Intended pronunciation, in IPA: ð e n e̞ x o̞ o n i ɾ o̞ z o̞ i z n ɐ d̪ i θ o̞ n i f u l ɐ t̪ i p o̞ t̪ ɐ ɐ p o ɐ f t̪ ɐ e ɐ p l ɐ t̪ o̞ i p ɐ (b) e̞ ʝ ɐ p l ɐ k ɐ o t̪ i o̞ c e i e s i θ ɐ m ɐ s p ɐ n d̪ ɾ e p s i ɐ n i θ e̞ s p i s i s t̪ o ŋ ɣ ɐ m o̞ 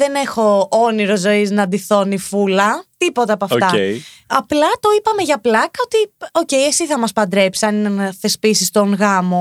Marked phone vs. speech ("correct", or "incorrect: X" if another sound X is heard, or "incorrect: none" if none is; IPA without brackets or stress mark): incorrect: m